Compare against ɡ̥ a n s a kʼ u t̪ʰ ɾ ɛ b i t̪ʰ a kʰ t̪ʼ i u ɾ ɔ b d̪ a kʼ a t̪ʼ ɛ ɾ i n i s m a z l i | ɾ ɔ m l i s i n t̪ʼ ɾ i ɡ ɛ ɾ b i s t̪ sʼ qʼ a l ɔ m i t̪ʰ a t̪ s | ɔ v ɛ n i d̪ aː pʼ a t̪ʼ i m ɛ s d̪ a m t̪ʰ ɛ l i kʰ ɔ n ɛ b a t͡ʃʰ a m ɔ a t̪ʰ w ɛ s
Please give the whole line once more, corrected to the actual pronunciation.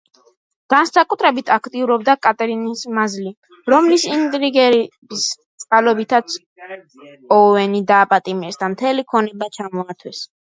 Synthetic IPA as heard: ɡ̥ a n s a kʼ u t̪ʰ ɾ ɛ b i t̪ʰ a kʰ t̪ʼ i u ɾ ɔ b d̪ a kʼ a t̪ʼ ɛ ɾ i n i s m a z l i | ɾ ɔ m l i s i n t̪ʼ ɾ i ɡ ɛ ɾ b i s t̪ sʼ qʼ a l ɔ b i t̪ʰ a t̪ s | ɔ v ɛ n i d̪ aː pʼ a t̪ʼ i m ɛ s d̪ a m t̪ʰ ɛ l i kʰ ɔ n ɛ b a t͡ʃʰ a m ɔ a t̪ʰ w ɛ s